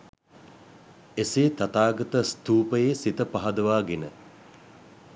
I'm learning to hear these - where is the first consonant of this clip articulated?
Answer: tongue tip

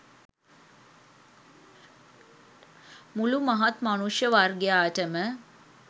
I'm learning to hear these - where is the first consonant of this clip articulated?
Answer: lips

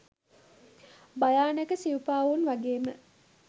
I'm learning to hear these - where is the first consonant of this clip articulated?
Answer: lips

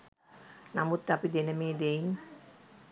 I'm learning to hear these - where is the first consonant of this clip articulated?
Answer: tongue tip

